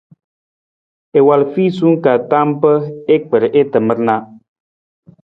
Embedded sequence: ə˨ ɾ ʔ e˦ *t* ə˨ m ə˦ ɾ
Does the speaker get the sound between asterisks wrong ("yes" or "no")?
no